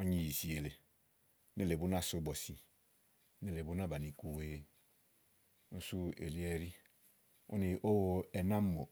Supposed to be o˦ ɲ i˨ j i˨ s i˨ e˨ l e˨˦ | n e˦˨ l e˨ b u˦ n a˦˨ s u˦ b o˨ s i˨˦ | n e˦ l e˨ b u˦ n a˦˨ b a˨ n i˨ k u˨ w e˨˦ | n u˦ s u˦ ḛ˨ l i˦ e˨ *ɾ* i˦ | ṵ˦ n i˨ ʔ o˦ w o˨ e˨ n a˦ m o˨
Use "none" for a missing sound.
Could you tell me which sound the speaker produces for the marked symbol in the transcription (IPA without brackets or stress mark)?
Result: ɾ